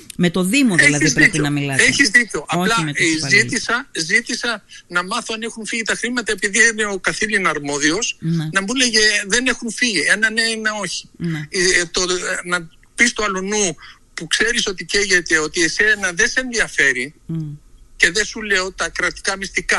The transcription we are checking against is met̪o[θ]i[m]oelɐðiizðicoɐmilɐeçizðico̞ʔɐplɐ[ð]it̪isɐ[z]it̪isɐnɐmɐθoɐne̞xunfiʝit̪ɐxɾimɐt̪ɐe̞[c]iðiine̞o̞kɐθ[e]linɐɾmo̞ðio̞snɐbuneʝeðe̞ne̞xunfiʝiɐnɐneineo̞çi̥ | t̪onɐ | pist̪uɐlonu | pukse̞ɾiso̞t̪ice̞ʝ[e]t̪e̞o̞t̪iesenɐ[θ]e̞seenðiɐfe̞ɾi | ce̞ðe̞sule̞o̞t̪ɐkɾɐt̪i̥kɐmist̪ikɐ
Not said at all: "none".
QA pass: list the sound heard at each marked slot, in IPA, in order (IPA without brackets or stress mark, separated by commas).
ð, m, z, z, p, i, e, ð